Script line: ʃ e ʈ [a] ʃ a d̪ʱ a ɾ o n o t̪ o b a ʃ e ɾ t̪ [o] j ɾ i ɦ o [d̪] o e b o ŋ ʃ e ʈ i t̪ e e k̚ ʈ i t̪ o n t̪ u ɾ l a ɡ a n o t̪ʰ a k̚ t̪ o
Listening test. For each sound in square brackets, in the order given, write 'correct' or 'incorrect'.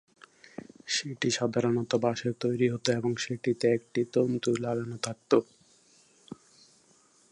incorrect, correct, incorrect

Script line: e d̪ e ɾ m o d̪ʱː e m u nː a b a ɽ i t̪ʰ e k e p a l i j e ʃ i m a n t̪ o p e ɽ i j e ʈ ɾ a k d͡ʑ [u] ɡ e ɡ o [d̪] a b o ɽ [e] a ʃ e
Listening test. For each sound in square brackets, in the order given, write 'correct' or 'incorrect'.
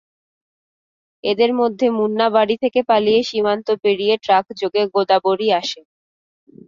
incorrect, correct, incorrect

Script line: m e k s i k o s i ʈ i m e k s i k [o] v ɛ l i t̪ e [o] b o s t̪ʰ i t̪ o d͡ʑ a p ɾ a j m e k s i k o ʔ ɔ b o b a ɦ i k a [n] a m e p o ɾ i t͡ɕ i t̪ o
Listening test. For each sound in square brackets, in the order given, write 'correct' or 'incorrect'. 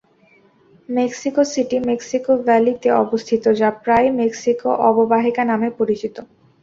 correct, incorrect, correct

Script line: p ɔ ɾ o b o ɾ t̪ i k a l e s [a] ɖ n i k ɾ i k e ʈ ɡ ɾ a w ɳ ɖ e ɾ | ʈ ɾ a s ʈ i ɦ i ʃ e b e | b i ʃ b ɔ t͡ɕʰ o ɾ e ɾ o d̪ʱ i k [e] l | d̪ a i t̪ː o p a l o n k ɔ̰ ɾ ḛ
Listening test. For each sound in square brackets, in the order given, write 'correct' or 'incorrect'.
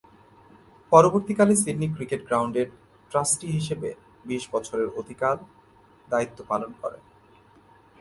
incorrect, incorrect

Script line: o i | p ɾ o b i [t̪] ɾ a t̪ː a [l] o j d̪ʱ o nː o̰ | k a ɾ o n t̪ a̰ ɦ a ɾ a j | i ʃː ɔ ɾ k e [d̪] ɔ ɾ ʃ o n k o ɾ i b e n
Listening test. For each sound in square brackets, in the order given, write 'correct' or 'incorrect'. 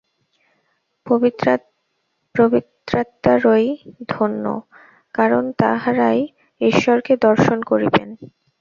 correct, incorrect, correct

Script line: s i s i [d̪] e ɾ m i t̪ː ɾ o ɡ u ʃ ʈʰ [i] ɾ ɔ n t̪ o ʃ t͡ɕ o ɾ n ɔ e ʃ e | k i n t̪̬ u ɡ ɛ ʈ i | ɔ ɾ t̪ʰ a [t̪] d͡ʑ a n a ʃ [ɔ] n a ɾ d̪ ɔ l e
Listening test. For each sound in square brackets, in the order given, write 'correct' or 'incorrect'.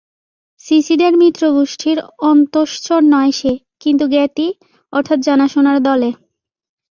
correct, correct, correct, incorrect

